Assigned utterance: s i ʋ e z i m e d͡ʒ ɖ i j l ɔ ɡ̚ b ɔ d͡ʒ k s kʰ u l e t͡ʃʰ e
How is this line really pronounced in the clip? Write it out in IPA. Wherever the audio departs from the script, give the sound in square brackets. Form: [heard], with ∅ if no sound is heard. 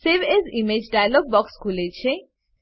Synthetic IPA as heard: s [e] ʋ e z i m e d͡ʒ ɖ [a] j l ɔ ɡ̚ b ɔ [∅] k s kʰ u l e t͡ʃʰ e